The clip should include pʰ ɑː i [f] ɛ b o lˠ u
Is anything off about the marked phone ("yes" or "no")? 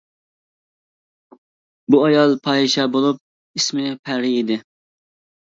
yes